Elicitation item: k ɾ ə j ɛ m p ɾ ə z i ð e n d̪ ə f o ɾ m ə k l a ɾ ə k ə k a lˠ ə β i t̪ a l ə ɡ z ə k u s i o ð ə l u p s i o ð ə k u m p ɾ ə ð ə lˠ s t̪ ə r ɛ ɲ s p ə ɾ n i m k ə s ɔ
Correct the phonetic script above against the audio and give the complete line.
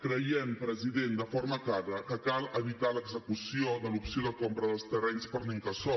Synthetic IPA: k ɾ ə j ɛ m p ɾ ə z i ð e n d̪ ə f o ɾ m ə k l a ɾ ə k ə k a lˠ ə β i t̪ a l ə ɡ z ə k u s i o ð ə l u p s i o ð ə k o m p ɾ ə ð ə lˠ s t̪ ə r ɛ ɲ s p ə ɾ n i ŋ k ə s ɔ

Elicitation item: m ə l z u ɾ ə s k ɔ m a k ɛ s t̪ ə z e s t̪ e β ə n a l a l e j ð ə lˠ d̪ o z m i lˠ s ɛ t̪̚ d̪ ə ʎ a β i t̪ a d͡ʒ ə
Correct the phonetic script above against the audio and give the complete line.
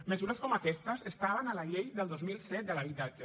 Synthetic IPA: m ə z u ɾ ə s k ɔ m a k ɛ s t̪ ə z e s t̪ a β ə n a l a ʎ e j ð ə lˠ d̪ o z m i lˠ s ɛ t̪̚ d̪ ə l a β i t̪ a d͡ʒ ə

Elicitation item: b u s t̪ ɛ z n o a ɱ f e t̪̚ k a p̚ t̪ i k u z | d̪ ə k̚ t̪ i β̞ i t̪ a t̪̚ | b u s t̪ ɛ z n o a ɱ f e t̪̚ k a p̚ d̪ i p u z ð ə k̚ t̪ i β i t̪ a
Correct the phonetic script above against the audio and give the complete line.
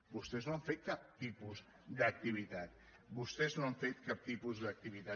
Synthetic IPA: b u s t̪ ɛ z n o a ɱ f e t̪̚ k a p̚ t̪ i p u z | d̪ ə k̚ t̪ i β̞ i t̪ a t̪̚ | b u s t̪ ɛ z n o a ɱ f e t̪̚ k a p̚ t̪ i p u z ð ə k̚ t̪ i β i t̪ a

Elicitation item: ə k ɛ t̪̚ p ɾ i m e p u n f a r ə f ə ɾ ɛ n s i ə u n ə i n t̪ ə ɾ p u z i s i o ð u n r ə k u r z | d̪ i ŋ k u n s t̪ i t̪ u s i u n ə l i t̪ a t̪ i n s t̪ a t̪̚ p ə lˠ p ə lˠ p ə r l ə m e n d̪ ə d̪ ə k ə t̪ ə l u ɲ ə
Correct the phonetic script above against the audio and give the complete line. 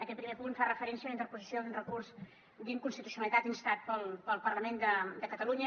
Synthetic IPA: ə k ɛ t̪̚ p ɾ i m e p u n f a r ə f ə ɾ ɛ n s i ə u n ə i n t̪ ə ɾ p u z i s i o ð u n r ə k u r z | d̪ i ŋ k u n s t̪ i t̪ u s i u n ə l i t̪ a t̪ i n s t̪ a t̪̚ p ə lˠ p ə lˠ p ə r l ə m e n d̪ ə d̪ ə k ə t̪ ə l u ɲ ə

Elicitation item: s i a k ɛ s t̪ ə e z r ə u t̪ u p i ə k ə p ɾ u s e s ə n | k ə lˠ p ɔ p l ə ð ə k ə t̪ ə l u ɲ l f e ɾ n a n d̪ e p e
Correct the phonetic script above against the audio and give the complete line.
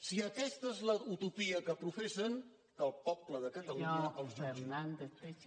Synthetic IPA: s i ə k ɛ s t̪ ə e z l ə u t̪ u p i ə k ə p ɾ u f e s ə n | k ə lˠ p ɔ p l ə ð ə k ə t̪ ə l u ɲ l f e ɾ n a n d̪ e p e

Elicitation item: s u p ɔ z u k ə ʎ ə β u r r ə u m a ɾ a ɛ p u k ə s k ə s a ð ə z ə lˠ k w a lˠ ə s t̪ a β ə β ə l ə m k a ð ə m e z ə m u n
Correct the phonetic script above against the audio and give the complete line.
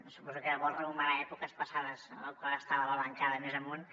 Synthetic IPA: s u p ɔ z u k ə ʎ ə β ɔ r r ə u m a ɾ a ɛ p u k ə s p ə s a ð ə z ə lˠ k w a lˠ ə s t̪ a β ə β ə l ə ŋ k a ð ə m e z ə m u n

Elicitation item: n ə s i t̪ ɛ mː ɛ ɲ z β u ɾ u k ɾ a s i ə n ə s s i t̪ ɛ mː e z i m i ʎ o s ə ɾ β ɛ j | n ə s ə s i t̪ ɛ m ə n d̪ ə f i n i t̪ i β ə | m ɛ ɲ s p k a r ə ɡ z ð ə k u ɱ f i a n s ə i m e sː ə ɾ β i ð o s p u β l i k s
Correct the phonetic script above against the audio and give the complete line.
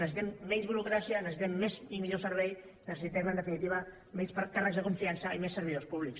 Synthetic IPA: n ə s i t̪ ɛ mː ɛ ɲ z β u ɾ u k ɾ a s i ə n ə s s i t̪ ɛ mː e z i m i ʎ o s ə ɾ β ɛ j | n ə s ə s i t̪ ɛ m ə n d̪ ə f i n i t̪ i β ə | m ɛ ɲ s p k a r ə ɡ z ð ə k u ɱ f i a n s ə i m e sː ə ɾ β i ð o s p u β l i k s

